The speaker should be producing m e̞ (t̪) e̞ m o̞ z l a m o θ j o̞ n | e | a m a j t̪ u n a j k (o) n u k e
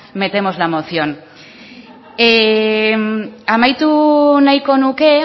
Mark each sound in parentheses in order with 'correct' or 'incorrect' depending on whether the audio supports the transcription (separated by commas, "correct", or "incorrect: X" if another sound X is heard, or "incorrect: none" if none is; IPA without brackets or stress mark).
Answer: correct, correct